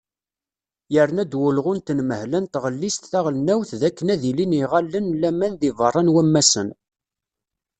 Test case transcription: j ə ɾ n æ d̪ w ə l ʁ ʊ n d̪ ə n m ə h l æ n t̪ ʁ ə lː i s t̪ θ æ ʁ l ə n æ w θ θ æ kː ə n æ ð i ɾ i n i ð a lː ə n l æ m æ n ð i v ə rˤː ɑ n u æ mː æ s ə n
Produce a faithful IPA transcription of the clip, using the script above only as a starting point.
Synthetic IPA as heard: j ə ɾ n æ d̪ w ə l ʁ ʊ n t̪ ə n m ə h l æ n t̪ ʁ ə lː i s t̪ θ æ ʁ l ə n æ w θ ð æ kː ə n æ ð i l i n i ʁ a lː ə n l æ m æ n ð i v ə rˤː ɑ n w æ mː æ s ə n